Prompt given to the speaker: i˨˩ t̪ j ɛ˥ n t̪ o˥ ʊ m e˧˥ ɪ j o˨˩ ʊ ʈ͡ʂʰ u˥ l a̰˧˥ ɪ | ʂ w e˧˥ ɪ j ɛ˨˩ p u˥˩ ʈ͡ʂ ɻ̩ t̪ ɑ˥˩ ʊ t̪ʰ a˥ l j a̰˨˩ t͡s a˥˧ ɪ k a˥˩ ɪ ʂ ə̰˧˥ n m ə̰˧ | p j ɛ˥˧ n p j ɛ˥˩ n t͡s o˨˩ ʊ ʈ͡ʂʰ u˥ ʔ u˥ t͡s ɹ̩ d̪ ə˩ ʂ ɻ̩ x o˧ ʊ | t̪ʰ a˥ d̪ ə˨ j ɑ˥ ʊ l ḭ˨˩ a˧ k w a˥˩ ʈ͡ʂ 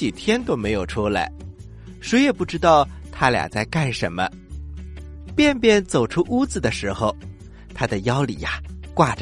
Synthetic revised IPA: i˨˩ t̪ʰ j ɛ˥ n t̪ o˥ ʊ m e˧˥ ɪ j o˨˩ ʊ ʈ͡ʂʰ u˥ l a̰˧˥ ɪ | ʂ w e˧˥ ɪ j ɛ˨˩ p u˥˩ ʈ͡ʂ ɻ̩ t̪ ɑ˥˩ ʊ t̪ʰ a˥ l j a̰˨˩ t͡s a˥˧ ɪ k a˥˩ ɪ ʂ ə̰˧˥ n m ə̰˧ | p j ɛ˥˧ n p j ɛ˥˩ n t͡s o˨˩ ʊ ʈ͡ʂʰ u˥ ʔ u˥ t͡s ɹ̩ d̪ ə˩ ʂ ɻ̩ x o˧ ʊ | t̪ʰ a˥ d̪ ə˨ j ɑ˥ ʊ l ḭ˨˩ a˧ k w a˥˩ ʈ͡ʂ